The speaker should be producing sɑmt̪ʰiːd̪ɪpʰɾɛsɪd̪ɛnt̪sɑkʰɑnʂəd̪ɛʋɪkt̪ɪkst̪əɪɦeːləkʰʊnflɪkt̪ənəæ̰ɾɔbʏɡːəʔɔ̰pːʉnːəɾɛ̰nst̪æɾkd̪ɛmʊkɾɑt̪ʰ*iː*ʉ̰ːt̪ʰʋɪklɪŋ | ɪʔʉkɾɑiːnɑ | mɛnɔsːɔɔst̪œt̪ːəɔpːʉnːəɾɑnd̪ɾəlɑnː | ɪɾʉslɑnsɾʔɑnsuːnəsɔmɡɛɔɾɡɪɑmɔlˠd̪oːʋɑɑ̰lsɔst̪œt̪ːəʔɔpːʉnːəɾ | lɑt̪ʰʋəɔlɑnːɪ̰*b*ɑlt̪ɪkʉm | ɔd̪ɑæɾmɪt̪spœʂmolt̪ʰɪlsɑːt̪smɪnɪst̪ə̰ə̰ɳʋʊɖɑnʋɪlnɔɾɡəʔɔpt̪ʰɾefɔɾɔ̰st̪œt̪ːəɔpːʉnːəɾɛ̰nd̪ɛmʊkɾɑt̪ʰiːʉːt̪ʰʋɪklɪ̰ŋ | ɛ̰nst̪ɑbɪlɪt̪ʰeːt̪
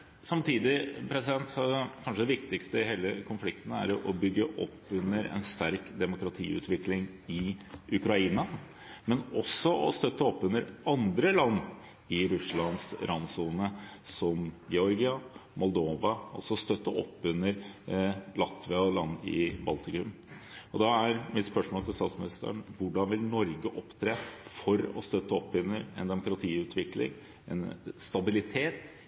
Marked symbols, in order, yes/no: yes, yes

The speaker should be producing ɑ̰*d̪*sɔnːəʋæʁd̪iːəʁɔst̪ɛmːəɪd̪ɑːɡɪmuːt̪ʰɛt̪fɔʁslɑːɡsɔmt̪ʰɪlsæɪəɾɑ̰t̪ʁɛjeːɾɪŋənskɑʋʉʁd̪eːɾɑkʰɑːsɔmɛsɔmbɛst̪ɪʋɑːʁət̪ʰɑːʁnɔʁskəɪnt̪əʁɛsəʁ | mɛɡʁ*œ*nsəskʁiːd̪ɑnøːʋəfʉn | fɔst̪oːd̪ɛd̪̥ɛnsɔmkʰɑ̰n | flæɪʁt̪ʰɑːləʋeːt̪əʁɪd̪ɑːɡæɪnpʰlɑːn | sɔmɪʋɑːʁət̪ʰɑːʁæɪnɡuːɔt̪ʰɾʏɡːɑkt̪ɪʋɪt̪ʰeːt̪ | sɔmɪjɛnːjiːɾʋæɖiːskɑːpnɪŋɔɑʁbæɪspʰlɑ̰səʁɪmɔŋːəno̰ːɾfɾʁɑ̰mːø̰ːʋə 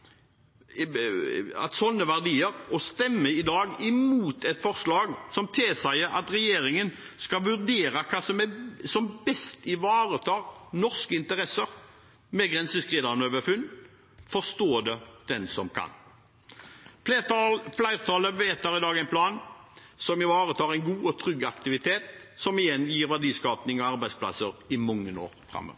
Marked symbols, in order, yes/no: no, no

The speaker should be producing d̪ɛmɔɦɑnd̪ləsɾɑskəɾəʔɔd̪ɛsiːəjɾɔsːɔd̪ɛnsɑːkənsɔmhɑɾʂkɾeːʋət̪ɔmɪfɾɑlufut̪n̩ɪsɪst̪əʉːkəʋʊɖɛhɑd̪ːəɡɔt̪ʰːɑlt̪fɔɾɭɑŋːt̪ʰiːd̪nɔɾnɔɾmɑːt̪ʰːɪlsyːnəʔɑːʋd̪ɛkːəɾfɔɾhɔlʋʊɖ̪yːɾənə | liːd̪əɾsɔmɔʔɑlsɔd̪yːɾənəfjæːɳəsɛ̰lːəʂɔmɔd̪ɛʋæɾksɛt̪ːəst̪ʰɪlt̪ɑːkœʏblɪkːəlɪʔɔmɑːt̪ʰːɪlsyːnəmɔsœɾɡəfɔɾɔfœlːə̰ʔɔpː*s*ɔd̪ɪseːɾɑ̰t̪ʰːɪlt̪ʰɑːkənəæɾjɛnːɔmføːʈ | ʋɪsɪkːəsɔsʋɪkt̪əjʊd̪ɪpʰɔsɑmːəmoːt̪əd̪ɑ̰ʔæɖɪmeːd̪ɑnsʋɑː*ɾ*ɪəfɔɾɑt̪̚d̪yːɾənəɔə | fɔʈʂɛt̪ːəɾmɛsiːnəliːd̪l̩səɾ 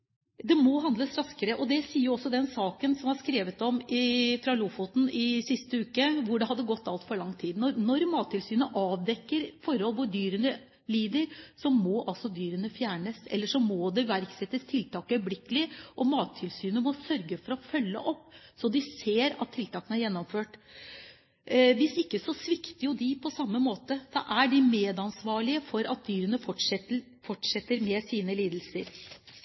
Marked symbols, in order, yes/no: yes, no

